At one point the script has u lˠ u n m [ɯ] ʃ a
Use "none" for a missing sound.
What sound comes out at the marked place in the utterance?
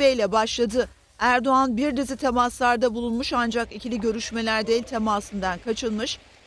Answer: u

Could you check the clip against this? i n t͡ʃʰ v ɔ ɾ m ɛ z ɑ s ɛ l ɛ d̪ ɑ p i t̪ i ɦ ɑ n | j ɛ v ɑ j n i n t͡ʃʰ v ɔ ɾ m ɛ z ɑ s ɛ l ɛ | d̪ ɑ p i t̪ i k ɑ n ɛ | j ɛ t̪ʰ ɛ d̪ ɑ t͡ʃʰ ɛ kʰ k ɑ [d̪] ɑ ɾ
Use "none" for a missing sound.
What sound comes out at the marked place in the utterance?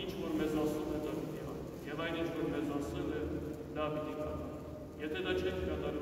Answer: t̪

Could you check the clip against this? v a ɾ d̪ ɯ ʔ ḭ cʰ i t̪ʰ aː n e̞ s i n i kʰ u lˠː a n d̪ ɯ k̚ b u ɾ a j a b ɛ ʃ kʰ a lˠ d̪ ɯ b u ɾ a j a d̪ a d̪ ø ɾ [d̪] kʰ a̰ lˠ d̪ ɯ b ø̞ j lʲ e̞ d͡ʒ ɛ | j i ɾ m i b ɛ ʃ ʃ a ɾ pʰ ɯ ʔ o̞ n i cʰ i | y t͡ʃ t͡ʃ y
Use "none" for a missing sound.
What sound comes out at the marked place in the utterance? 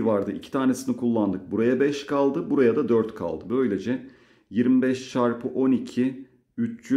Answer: t̪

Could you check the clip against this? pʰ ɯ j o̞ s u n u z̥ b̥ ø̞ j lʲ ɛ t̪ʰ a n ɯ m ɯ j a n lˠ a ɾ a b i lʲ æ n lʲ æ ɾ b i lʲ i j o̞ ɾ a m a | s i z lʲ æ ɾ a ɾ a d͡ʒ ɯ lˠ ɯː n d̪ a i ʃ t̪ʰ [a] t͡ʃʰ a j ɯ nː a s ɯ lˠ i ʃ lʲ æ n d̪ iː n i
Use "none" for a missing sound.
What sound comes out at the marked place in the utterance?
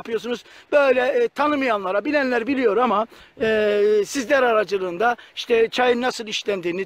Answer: ɛ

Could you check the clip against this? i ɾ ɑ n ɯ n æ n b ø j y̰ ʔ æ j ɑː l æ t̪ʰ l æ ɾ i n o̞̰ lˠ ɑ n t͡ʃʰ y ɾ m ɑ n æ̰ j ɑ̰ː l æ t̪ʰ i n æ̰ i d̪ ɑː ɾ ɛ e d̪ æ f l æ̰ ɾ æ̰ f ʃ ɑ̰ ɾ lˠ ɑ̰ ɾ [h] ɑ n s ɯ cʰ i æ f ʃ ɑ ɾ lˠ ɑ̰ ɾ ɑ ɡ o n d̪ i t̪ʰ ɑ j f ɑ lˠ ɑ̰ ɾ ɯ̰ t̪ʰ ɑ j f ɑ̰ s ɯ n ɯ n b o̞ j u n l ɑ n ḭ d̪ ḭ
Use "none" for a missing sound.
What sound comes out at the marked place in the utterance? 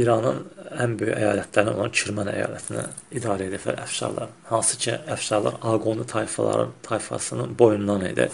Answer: h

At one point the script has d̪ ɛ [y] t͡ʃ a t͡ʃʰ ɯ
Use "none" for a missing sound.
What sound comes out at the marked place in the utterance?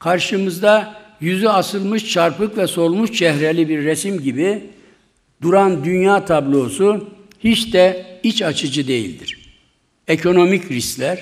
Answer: i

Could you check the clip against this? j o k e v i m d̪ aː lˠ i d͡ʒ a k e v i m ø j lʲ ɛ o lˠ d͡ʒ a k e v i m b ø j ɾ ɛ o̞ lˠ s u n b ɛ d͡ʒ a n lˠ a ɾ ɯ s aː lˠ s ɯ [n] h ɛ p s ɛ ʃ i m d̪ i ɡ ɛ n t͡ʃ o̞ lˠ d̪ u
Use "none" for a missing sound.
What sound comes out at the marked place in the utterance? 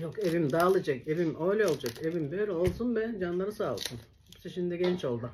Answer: n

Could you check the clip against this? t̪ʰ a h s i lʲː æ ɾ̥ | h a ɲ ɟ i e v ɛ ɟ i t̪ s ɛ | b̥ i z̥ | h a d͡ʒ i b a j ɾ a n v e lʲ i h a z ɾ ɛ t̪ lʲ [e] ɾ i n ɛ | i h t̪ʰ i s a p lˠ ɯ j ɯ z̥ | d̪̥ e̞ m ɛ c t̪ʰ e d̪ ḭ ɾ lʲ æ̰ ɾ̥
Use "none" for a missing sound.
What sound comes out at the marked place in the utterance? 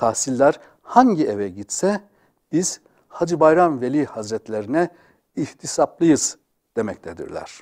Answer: e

